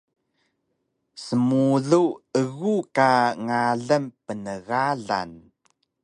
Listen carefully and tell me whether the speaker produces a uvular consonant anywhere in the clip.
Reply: no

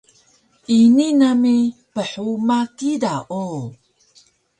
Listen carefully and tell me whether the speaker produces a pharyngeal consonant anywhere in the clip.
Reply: yes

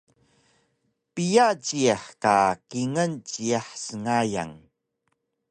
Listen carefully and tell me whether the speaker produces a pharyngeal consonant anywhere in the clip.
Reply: yes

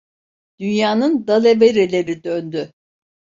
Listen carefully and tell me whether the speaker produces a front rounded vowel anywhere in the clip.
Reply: yes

